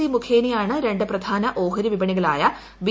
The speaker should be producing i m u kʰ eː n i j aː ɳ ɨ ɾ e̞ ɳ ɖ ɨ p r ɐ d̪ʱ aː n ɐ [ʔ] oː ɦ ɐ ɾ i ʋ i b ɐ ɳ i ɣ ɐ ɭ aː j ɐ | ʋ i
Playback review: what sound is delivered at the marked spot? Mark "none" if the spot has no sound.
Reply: ʔ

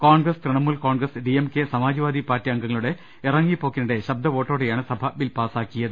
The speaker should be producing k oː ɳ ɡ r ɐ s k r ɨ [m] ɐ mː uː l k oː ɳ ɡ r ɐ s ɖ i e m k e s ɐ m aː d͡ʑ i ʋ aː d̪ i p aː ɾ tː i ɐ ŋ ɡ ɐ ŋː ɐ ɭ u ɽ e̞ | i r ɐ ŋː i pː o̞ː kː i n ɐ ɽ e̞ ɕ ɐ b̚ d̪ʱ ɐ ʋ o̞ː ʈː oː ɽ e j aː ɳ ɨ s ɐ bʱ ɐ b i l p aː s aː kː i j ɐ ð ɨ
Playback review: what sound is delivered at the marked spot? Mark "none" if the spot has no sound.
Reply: ɳ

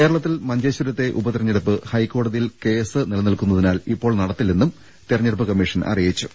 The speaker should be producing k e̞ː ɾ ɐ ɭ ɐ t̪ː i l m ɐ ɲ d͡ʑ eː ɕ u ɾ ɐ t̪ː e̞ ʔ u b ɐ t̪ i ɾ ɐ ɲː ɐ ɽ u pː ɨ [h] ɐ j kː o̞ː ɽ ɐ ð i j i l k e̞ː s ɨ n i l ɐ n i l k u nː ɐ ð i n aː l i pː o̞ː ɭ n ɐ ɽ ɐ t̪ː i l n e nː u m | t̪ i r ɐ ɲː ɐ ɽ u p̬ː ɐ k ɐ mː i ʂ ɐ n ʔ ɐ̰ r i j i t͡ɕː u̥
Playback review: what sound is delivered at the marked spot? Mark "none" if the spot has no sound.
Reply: h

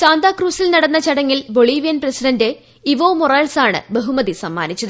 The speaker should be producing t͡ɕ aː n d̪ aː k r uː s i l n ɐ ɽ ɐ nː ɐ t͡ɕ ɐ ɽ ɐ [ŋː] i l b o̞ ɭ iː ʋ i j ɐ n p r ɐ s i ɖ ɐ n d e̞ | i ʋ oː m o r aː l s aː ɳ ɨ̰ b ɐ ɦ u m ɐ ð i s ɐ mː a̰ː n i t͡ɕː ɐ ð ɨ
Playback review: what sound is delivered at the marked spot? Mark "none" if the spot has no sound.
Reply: ŋː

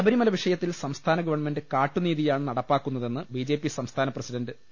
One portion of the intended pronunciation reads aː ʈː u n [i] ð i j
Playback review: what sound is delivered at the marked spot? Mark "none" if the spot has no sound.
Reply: iː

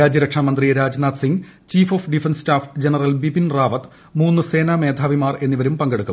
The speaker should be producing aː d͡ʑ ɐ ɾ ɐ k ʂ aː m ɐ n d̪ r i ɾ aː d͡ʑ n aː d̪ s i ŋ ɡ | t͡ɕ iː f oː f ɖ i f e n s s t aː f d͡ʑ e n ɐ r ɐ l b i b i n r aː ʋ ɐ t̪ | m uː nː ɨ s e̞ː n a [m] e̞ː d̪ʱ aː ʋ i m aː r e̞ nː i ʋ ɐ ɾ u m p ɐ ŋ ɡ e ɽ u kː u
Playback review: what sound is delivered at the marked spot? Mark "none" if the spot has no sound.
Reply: m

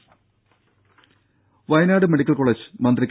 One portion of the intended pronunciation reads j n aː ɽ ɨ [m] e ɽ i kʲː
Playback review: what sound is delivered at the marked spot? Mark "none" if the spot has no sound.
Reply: m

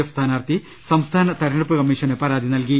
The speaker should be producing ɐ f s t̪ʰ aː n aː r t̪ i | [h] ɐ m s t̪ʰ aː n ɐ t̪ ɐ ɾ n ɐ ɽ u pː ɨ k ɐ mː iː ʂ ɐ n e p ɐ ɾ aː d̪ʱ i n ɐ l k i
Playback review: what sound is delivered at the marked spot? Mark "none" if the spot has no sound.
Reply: s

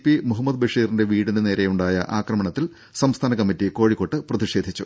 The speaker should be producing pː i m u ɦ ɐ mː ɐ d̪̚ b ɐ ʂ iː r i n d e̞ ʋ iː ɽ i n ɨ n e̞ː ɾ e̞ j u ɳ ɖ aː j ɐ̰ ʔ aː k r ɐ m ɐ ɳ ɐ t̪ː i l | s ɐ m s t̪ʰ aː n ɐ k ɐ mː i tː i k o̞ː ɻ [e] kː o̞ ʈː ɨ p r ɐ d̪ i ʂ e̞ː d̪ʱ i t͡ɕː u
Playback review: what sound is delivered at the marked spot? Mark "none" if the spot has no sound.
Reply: i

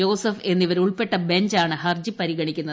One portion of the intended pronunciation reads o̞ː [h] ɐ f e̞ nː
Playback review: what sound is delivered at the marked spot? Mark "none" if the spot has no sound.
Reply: s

